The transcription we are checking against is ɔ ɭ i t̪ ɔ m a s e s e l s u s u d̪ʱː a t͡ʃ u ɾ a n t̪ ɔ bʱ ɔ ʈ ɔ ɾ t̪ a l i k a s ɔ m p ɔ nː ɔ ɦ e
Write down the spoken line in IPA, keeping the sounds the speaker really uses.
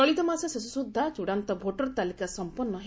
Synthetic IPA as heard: ɔ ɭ i t̪ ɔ m a s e s e s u s u d̪ʱː a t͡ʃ u ɽ a n t̪ ɔ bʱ o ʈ ɔ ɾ t̪ a l i k a s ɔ m p ɔ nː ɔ ɦ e